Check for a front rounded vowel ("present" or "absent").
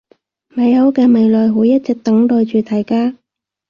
present